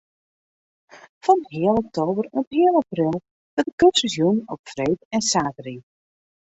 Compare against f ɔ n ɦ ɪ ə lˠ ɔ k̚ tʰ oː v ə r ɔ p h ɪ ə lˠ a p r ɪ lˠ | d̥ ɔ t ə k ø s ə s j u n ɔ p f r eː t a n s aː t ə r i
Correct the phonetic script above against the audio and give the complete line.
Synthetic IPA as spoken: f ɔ n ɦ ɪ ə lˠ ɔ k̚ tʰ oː b ə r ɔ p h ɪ ə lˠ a p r ɪ lˠ | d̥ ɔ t ə k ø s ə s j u n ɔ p f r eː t ɛ n s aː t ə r i